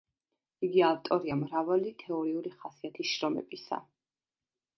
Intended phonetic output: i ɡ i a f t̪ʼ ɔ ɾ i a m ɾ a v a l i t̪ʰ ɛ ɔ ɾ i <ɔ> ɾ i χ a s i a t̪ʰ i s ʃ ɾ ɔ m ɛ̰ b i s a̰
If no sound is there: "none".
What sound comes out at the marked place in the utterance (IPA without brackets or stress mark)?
u